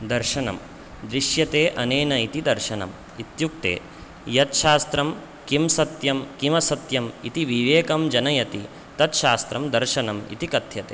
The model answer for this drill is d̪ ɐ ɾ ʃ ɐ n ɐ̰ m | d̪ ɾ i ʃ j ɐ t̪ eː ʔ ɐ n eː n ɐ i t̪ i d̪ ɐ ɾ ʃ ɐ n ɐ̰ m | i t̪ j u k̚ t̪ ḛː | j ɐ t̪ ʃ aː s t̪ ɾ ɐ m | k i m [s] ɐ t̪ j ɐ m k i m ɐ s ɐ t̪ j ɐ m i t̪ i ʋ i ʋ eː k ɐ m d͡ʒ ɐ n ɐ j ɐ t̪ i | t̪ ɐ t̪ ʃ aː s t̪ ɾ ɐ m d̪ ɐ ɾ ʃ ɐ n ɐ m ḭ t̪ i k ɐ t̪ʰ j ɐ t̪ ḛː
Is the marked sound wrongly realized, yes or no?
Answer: no